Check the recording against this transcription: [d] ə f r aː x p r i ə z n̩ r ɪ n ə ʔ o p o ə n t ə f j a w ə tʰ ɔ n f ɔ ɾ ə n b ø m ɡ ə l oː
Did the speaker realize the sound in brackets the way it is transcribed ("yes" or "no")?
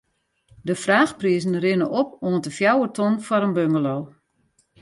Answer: yes